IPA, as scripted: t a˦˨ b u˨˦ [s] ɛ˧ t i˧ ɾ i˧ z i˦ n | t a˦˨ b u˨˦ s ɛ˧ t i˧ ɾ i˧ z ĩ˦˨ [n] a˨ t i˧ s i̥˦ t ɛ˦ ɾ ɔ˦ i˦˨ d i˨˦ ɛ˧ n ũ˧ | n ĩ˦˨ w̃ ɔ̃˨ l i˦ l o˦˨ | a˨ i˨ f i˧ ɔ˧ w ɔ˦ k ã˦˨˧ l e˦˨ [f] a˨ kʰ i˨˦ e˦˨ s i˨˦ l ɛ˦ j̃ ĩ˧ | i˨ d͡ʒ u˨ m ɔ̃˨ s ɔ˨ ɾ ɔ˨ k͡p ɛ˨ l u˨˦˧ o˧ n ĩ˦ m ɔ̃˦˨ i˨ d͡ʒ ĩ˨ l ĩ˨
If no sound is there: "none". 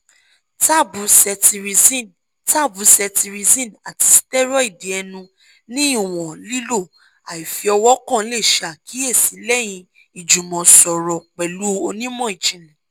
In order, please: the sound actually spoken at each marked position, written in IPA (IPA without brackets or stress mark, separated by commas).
s, n, ʃ